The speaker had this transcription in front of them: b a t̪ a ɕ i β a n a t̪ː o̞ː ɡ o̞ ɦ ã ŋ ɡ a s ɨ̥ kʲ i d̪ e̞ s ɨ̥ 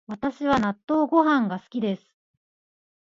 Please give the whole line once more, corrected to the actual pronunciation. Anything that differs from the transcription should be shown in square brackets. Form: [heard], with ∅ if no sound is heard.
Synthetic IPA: [β] a t̪ a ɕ i β a n a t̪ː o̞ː ɡ o̞ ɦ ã ŋ ɡ a s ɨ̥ kʲ i d̪ e̞ s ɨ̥